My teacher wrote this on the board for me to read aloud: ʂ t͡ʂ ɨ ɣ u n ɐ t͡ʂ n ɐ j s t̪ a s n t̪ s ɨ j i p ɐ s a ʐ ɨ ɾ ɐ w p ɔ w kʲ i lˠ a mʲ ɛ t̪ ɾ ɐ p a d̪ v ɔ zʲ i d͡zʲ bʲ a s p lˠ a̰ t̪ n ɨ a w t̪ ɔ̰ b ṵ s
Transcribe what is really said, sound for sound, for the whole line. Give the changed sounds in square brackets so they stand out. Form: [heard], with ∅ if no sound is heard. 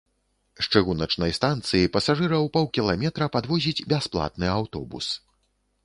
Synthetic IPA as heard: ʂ t͡ʂ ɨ ɣ u n ɐ t͡ʂ n ɐ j s t̪ a [∅] n t̪ s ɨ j i p ɐ s a ʐ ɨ ɾ ɐ w p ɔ w kʲ i lˠ a mʲ ɛ t̪ ɾ ɐ p a d̪ v ɔ zʲ i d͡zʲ bʲ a s p lˠ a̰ t̪ n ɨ a w t̪ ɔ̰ b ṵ s